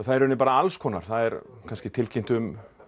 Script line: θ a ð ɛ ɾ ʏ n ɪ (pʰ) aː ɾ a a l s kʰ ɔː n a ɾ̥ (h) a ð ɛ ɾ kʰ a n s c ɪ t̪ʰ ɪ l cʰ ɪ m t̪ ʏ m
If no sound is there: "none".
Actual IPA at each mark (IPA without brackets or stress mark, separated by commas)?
p, θ